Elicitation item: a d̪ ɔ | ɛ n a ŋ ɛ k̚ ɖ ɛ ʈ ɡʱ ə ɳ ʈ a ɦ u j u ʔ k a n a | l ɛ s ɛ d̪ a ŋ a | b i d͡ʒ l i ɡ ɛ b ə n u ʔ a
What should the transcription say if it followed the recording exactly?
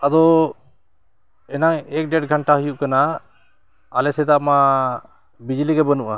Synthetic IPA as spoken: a d̪ ɔ | ɛ n a ŋ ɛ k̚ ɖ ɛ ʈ ɡʱ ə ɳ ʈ a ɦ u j u ʔ k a n a | l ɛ s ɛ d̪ a m a | b i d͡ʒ l i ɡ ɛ b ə n u ʔ a